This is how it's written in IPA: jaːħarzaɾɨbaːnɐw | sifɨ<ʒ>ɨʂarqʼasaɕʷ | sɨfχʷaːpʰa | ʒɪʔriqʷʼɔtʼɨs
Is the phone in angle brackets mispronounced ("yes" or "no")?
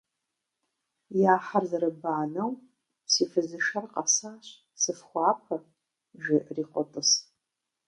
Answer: yes